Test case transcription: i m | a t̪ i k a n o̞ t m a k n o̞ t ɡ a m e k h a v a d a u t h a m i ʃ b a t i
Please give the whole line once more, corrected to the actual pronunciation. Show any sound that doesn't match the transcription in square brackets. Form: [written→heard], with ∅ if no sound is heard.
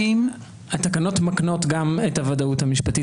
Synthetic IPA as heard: i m | a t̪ [i→a] k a n o̞ t m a k n o̞ t ɡ a m e [k→t] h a v a d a u t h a m i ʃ [b→p] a t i